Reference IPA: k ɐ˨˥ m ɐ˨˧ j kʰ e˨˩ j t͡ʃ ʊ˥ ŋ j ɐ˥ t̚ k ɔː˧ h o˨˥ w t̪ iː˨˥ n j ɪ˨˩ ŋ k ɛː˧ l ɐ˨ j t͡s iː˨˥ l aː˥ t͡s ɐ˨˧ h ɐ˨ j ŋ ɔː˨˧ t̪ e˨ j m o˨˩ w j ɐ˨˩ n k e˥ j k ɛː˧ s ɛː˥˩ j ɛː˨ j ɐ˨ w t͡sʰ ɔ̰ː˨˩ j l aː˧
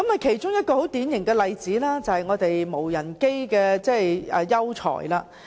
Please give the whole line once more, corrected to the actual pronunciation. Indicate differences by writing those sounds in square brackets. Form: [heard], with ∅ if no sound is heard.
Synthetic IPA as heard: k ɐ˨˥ m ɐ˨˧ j kʰ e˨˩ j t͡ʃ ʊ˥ ŋ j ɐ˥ t̚ k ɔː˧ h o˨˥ w t̪ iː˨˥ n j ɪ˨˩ ŋ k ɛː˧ l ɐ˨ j t͡s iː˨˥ l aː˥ t͡s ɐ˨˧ h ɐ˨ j ŋ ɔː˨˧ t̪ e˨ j m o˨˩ w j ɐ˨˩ n k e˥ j k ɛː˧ [t͡s] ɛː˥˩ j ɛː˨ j [ɐ˥] w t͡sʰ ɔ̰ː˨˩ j l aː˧